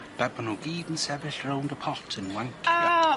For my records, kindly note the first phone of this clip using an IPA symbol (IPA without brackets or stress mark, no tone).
b̥